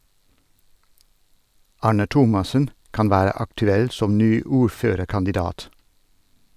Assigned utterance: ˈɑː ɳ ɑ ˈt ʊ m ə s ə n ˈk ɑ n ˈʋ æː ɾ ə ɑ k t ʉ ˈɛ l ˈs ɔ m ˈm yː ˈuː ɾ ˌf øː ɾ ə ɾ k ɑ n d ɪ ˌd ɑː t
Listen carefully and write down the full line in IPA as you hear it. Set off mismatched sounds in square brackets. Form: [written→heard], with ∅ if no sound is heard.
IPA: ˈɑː ɳ [ɑ→ə] ˈt ʊ m [ə→ɑ] s ə n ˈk ɑ n ˈʋ æː ɾ ə ɑ k t ʉ ˈɛ l ˈs ɔ m [ˈm→ˈn] yː ˈuː ɾ ˌf øː ɾ ə ɾ k ɑ n d ɪ ˌd ɑː t